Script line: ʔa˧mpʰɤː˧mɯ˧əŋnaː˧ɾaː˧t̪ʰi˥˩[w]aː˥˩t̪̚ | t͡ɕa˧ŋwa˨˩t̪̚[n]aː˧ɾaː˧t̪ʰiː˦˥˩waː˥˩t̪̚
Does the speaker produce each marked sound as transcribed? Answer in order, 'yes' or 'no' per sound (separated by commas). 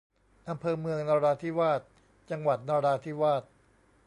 yes, yes